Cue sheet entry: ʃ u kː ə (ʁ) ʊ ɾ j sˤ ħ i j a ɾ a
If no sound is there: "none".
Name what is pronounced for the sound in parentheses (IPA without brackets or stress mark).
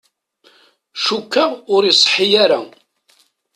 ʁ